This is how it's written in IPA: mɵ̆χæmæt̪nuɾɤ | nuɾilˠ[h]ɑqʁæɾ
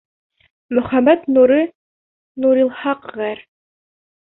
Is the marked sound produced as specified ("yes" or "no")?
yes